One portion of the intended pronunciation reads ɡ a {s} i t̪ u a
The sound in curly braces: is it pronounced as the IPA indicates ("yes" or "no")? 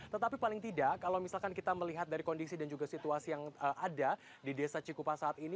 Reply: yes